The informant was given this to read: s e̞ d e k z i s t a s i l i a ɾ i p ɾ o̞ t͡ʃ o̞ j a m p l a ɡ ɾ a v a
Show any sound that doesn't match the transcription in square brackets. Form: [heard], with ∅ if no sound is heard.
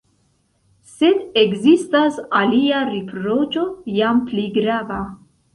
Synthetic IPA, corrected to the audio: s e̞ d e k z i s t a s [a] l i a ɾ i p ɾ o̞ t͡ʃ o̞ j a m p l [i] ɡ ɾ a v a